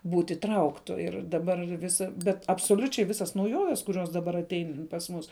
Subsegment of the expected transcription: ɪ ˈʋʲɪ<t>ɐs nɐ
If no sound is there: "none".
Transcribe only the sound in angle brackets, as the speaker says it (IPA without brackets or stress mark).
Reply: s